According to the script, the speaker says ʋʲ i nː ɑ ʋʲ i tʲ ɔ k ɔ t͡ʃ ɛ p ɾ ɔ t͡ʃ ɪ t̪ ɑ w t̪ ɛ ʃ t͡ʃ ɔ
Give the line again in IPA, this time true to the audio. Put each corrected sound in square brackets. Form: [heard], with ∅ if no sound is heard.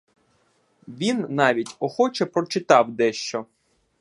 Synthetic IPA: ʋʲ i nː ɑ ʋʲ i tʲ ɔ [x] ɔ t͡ʃ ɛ p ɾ ɔ t͡ʃ ɪ t̪ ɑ w [d̪] ɛ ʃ t͡ʃ ɔ